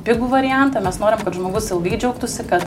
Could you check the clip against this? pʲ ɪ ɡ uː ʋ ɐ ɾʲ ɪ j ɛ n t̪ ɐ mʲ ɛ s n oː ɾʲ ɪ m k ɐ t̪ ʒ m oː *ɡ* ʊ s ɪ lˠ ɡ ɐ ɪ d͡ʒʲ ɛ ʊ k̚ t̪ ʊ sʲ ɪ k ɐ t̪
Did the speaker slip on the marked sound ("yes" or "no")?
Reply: no